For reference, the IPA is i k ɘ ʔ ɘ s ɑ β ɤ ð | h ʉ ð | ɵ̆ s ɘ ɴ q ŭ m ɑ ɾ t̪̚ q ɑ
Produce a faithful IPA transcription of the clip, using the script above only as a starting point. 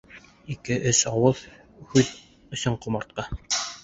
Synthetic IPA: i k ɘ ʔ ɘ s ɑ w ɤ ð | h ʉ ð | ɵ̆ s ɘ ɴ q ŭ m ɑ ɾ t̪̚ q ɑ